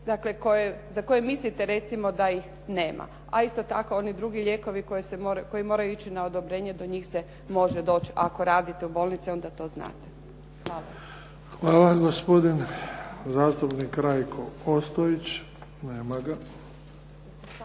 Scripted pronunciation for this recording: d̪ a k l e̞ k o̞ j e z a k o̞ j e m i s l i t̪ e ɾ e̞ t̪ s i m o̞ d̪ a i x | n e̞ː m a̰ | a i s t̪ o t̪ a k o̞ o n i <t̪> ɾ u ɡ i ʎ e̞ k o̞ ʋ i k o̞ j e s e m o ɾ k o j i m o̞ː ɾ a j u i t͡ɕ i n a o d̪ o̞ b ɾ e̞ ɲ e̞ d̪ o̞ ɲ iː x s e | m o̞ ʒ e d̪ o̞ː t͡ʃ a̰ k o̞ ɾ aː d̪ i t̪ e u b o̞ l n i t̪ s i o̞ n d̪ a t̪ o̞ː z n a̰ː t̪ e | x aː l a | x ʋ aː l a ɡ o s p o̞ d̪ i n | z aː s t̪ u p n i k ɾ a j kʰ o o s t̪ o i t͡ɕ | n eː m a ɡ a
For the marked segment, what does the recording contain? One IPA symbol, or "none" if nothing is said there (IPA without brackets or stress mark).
d̪